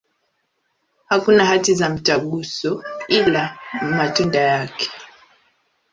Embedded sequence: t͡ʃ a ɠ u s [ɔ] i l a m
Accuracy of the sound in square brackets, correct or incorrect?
correct